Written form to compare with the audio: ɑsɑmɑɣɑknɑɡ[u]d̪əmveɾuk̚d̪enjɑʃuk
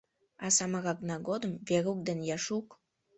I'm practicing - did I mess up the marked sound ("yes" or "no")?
yes